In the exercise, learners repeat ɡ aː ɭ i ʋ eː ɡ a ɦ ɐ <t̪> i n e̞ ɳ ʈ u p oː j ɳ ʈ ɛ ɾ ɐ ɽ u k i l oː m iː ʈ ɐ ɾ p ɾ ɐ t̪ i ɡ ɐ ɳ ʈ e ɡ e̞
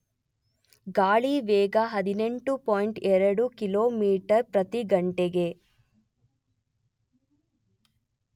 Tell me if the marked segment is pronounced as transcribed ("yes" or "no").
no